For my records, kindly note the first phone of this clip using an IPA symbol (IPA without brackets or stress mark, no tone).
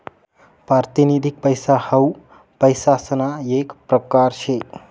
p